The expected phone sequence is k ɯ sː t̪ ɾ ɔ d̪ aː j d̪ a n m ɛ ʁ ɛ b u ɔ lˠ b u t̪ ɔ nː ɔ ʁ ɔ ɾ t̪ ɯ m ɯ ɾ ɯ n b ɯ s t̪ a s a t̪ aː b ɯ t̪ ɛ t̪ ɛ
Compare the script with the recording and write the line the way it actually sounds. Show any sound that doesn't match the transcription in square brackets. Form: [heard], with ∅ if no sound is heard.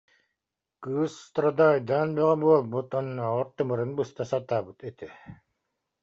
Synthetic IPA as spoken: k ɯ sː t̪ ɾ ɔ d̪ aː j d̪ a n [b] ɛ ʁ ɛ b u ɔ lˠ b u t̪ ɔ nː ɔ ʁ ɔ ɾ t̪ ɯ m ɯ ɾ ɯ n b ɯ s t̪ a s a t̪ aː b ɯ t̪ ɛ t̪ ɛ